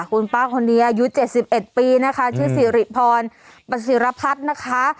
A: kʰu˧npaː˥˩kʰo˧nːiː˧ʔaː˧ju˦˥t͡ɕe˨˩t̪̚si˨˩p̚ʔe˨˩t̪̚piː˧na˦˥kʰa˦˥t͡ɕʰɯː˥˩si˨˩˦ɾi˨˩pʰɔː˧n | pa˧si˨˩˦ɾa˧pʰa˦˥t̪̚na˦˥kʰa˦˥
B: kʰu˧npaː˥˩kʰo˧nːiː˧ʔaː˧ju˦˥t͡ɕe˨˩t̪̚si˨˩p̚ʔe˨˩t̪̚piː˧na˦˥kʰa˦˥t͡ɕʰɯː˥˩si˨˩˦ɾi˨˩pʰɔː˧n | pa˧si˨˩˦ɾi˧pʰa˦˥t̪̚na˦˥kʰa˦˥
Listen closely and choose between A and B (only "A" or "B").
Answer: A